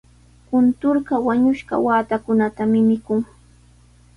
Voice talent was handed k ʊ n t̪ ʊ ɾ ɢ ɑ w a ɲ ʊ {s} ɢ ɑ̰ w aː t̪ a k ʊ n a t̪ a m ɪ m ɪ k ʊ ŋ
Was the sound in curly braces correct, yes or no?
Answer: no